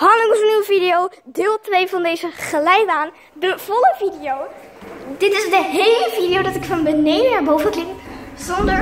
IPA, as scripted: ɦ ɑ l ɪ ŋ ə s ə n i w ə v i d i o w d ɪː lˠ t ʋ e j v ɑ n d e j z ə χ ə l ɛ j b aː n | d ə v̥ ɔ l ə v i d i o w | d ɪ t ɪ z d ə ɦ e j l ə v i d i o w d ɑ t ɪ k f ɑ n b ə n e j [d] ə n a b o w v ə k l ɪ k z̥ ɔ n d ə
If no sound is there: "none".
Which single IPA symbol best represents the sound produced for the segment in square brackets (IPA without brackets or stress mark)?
d